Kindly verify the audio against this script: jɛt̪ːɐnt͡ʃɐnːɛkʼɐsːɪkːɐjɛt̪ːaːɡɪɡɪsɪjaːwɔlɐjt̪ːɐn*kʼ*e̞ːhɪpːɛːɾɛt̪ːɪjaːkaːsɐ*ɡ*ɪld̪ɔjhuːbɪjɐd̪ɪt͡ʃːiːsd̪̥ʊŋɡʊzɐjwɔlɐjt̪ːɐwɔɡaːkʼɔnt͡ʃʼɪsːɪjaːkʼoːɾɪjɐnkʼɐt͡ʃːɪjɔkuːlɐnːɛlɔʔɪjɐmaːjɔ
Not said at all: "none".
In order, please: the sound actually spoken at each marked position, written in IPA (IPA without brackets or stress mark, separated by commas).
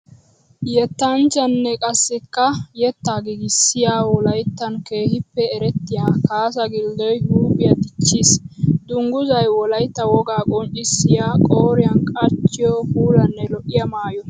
k, ɡ